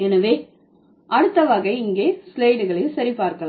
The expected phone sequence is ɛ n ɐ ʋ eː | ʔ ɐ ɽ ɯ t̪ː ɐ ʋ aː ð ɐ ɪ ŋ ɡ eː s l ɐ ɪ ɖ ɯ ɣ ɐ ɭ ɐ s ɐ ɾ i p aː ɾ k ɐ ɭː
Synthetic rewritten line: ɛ n ɐ ʋ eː | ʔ ɐ ɽ ɯ t̪ː ɐ ʋ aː ɣ ɐ ɪ ŋ ɡ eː s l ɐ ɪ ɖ ɯ ɣ ɐ ɭ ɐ s ɐ ɾ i p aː ɾ k ɐ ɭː